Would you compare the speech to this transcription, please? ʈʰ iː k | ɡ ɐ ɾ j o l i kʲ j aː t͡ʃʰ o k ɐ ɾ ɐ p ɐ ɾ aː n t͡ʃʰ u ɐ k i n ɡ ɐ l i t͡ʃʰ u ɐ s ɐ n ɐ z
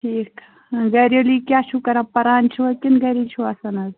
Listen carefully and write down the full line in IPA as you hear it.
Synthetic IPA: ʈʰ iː k | ɡ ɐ ɾ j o l i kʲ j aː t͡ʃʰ u k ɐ ɾ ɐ p ɐ ɾ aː n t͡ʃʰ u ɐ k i n ɡ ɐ ɾ i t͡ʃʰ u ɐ s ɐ n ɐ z